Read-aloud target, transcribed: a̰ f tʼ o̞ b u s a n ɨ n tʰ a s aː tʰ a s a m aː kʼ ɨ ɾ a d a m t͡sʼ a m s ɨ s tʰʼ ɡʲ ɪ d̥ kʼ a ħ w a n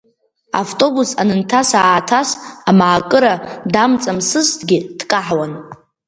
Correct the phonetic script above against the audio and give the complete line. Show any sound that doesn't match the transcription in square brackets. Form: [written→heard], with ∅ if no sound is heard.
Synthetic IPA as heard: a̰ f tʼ o̞ b u s a n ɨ n tʰ a s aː tʰ a s a m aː kʼ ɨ ɾ a d a m t͡sʼ a m s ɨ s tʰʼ ɡʲ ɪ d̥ kʼ a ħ w a n